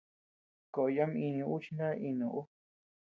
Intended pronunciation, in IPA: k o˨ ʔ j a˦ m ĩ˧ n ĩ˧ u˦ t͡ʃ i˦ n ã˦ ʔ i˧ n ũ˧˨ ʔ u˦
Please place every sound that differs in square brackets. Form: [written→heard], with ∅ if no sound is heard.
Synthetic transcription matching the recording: k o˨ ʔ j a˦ m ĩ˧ n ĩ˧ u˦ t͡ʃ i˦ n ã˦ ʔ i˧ n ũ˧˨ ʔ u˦